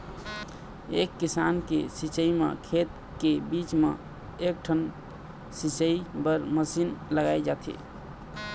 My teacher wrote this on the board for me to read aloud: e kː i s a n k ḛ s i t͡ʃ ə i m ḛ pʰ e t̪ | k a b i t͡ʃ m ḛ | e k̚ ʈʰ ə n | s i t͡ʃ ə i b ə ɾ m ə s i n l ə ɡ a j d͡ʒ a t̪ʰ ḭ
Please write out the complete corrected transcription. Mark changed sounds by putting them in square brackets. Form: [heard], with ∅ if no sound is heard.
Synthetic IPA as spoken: e kː i s a n k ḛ s i t͡ʃ ə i m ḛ [kʰ] e t̪ | k [e] b i t͡ʃ m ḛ | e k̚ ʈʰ ə n | s i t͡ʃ ə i b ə ɾ m ə s i n l ə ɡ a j d͡ʒ a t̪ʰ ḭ